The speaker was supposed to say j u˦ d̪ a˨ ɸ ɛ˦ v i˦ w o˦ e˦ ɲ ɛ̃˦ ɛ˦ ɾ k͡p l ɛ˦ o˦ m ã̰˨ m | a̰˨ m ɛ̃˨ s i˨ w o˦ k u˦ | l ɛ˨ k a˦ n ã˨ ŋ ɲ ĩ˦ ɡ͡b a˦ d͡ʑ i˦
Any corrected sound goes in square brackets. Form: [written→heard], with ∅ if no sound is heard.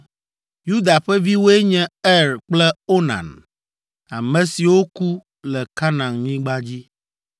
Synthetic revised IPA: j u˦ d̪ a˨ ɸ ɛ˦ v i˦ w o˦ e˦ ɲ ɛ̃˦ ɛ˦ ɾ k͡p l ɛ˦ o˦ [m→n] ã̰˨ [m→n] | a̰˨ m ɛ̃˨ s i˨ w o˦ k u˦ | l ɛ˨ k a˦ n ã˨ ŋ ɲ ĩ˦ ɡ͡b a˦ d͡ʑ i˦